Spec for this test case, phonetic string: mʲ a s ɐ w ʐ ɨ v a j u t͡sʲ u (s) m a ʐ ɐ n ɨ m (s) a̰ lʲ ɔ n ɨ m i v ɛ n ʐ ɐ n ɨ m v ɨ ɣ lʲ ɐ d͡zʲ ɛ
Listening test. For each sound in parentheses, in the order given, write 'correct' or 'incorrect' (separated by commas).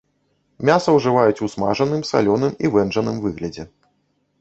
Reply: correct, correct